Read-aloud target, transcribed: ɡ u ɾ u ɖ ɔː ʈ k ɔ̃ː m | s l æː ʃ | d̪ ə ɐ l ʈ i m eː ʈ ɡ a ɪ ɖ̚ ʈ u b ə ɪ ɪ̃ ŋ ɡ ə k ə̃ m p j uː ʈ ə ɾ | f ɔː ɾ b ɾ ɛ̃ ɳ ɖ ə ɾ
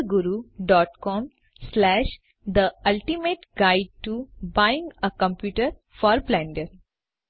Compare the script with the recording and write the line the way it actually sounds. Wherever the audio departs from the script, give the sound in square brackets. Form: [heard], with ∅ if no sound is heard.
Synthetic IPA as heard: ɡ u ɾ u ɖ ɔː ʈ k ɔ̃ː m | s l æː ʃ | d̪ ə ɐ l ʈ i m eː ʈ ɡ a ɪ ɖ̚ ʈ u b [a] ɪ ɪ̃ ŋ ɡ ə k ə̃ m p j uː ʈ ə ɾ | f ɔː ɾ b [l] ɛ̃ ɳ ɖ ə ɾ